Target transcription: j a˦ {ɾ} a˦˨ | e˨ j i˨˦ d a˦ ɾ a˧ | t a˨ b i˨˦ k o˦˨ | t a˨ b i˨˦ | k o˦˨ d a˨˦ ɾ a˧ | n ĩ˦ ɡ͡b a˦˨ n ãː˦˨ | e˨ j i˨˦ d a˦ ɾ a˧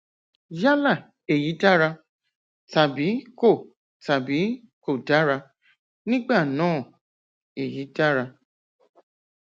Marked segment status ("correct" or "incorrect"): incorrect